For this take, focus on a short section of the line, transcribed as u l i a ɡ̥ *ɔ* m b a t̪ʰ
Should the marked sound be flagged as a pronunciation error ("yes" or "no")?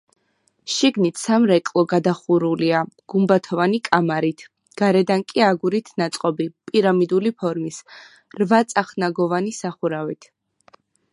yes